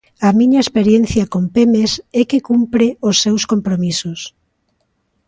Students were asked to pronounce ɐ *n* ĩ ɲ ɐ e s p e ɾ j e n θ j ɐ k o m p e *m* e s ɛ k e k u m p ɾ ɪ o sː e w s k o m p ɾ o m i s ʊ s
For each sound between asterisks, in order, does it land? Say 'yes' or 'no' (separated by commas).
no, yes